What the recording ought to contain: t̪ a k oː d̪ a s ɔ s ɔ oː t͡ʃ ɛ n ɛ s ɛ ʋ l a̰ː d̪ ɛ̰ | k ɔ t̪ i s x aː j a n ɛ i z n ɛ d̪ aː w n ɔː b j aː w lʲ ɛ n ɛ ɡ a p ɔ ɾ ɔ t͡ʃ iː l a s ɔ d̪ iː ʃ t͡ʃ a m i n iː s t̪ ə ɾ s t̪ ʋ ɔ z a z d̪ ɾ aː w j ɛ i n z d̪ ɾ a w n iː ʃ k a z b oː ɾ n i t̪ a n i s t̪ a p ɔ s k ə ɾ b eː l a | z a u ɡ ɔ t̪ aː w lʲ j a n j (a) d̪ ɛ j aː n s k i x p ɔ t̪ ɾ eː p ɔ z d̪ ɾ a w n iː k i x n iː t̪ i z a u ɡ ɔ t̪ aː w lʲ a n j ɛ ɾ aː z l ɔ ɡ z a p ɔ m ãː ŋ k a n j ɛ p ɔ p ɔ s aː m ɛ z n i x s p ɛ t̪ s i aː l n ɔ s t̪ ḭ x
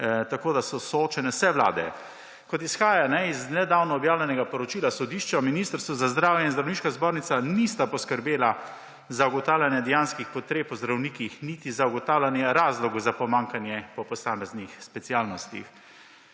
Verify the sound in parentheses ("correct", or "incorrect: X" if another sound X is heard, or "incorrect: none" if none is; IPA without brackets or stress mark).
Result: incorrect: ɛ